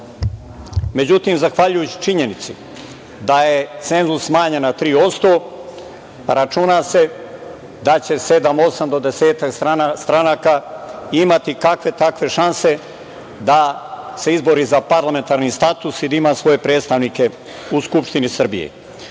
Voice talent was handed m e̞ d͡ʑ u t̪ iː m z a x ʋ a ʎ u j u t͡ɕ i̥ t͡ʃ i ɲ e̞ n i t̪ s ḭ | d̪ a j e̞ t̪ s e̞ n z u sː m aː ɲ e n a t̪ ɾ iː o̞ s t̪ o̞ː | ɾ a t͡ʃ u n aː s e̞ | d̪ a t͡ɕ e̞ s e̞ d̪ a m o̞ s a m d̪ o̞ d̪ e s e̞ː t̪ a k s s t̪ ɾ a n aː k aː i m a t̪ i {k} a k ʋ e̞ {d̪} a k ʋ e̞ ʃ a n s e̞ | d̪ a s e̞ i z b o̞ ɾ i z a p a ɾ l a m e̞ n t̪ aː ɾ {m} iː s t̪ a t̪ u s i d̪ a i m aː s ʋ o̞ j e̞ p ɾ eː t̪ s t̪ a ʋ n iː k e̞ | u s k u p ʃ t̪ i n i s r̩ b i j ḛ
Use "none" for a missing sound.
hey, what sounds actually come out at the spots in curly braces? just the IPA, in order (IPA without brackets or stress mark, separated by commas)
k, t̪, n